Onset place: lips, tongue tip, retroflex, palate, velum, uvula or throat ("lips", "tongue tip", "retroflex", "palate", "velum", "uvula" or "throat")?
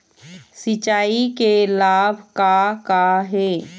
tongue tip